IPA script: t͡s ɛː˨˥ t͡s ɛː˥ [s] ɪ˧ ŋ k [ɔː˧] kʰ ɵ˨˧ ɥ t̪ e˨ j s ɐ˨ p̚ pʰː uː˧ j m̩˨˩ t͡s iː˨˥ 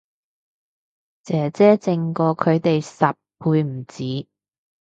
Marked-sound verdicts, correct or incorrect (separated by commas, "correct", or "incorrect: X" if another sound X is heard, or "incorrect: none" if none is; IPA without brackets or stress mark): incorrect: t͡s, correct